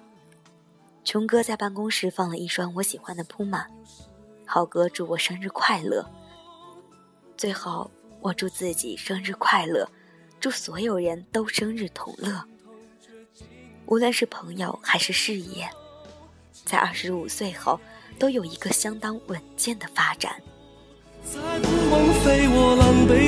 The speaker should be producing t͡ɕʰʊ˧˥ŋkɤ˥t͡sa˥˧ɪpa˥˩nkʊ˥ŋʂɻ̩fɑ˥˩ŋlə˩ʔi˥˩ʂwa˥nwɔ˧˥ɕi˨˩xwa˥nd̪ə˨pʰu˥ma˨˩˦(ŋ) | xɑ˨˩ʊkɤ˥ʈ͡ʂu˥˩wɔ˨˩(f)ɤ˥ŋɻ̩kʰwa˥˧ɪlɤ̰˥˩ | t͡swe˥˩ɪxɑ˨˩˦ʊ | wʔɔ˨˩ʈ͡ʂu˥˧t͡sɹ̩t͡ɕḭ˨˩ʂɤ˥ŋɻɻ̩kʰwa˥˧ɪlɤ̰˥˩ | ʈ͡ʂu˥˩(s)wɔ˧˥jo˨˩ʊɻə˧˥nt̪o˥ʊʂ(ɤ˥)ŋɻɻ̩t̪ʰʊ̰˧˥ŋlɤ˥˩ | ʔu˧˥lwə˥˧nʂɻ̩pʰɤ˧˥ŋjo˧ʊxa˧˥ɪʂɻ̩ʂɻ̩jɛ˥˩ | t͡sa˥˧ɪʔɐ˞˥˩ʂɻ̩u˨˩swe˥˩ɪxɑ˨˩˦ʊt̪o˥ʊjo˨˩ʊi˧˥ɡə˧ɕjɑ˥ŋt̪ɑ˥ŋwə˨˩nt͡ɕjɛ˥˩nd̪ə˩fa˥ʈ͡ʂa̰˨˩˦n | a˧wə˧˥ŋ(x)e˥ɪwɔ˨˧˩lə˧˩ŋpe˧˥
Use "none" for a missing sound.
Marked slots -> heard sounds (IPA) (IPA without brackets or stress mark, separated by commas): n, ʂ, s, ɤ˥, f